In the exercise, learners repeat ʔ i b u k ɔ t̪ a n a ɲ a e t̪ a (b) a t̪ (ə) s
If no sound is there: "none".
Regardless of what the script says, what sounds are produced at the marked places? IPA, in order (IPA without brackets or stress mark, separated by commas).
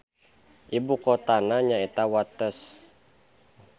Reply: w, ə